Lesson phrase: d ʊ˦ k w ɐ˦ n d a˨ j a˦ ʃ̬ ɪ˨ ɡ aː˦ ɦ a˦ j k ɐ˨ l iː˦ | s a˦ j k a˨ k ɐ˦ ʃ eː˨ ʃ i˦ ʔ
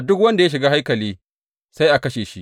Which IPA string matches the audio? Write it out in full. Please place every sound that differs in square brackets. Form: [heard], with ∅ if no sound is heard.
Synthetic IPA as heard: d ʊ˦ k w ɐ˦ n d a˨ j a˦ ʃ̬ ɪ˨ ɡ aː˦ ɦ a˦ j k ɐ˨ l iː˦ | s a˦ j [ʔ] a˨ k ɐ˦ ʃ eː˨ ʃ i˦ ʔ